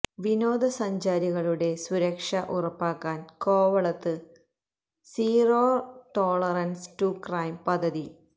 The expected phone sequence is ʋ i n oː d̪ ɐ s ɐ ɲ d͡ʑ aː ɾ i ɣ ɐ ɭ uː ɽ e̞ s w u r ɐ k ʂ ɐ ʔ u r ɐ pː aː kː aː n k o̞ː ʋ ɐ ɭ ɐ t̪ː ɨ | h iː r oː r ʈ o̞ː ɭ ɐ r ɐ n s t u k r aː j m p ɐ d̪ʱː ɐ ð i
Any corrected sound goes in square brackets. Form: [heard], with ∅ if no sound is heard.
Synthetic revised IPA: ʋ i n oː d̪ ɐ s ɐ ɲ d͡ʑ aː ɾ i ɣ ɐ ɭ [u] ɽ e̞ s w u [ɾ] ɐ k ʂ ɐ ʔ u r ɐ pː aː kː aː n k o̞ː ʋ ɐ ɭ ɐ t̪ː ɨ | [s] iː r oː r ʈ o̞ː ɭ ɐ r ɐ n s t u k r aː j m p ɐ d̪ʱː ɐ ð i